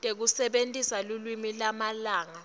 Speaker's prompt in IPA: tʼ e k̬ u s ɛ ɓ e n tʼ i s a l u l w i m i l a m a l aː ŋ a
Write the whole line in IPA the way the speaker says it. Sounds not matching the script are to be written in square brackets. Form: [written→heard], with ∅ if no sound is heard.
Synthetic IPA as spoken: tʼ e k̬ u s ɛ ɓ e n tʼ i s a l u l w i m i l a m a l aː ŋ a